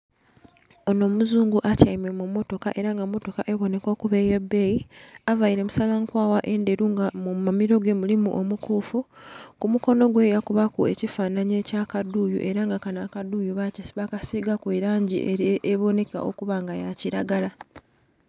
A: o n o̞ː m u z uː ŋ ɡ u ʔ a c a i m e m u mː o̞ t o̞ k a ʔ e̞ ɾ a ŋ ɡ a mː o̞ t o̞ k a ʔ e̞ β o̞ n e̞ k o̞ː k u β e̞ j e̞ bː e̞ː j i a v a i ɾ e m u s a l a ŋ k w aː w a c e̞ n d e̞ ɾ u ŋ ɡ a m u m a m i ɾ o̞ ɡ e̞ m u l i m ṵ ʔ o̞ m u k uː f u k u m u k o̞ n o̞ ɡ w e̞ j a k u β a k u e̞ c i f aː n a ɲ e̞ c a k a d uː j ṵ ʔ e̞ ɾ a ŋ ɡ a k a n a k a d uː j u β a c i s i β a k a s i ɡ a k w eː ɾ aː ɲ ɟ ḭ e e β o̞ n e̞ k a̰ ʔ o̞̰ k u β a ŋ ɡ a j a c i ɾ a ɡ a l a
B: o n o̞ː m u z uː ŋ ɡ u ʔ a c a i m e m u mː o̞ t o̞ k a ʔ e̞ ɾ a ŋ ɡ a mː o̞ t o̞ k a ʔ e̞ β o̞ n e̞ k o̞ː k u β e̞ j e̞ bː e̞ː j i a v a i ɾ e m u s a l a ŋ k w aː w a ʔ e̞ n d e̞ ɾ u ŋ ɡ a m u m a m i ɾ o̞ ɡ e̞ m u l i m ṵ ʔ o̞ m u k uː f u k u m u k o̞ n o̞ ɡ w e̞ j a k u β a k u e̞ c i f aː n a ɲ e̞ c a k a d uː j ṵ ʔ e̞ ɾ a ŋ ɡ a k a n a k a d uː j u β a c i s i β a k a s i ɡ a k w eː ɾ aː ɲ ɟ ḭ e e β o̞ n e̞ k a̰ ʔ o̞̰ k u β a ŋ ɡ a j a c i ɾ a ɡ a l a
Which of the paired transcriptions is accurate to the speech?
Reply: B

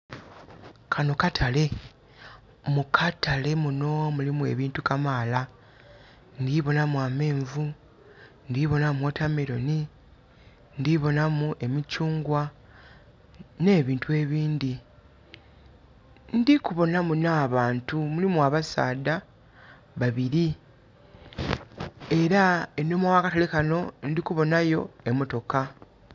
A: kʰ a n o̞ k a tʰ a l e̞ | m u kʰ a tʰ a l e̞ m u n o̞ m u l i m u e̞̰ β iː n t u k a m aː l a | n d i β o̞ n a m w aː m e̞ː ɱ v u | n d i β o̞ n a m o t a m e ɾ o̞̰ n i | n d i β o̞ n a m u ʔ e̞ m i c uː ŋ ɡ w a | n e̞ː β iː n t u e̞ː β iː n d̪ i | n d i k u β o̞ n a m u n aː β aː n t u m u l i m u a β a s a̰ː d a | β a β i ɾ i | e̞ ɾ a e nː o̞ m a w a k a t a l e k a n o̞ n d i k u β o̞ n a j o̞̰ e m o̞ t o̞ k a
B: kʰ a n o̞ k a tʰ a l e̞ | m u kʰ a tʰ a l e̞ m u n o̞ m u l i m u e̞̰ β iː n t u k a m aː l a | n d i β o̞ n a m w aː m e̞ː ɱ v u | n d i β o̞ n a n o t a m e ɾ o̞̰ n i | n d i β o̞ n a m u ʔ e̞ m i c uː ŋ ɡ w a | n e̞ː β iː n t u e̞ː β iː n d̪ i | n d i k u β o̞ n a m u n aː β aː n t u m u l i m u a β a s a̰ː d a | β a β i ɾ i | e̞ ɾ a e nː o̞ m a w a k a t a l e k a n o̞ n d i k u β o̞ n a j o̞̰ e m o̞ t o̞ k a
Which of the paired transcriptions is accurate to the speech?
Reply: A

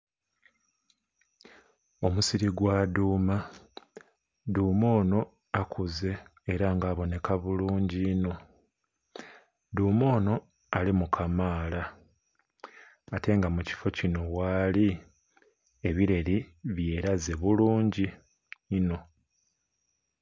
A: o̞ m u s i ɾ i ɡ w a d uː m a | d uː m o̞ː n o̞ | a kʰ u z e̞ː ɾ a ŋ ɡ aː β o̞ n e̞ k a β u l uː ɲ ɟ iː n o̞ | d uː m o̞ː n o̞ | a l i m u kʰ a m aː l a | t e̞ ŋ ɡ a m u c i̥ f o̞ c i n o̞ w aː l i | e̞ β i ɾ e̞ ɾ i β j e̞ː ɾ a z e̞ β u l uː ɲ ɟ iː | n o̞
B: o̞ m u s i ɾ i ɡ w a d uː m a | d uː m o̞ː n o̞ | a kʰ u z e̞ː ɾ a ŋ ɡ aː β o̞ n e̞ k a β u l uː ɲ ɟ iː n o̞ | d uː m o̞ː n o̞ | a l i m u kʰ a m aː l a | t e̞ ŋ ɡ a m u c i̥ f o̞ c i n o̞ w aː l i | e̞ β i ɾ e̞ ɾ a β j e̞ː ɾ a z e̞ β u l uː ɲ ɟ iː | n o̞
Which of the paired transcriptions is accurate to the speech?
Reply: A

